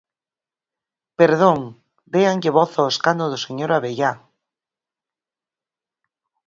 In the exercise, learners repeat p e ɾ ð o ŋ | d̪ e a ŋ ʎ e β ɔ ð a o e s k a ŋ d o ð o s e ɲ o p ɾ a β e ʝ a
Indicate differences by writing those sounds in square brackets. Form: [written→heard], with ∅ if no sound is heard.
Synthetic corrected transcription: p e ɾ ð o ŋ | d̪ e a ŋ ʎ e β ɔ [ð→θ] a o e s k a [ŋ→n] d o ð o s e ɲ o [p→∅] ɾ a β e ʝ a